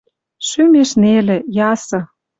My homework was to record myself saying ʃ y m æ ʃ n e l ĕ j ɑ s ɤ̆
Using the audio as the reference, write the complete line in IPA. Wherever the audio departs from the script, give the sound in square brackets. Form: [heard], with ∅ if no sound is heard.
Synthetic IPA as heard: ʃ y m [e] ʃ n e l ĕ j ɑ s ɤ̆